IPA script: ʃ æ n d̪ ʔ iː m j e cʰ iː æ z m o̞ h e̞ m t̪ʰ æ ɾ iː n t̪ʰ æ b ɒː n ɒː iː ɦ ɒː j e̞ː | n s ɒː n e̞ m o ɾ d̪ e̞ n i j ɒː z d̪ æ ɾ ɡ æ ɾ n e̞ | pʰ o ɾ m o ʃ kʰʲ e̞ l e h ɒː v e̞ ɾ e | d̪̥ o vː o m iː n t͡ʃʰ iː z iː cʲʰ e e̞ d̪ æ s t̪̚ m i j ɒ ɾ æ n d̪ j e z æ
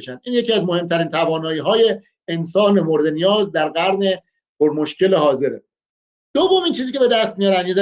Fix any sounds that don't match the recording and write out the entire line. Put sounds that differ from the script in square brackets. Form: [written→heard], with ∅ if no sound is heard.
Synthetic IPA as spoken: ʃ æ n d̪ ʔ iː [m→n] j e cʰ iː æ z m o̞ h e̞ m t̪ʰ æ ɾ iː n t̪ʰ æ [b→v] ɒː n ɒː iː ɦ ɒː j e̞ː | n s ɒː n e̞ m o ɾ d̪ e̞ n i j ɒː z d̪ æ ɾ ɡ æ ɾ n e̞ | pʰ o ɾ m o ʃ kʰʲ e̞ l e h ɒː [v→z] e̞ ɾ e | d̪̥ o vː o m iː n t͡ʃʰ iː z iː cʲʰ e e̞ d̪ æ s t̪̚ m i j ɒ ɾ æ n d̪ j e z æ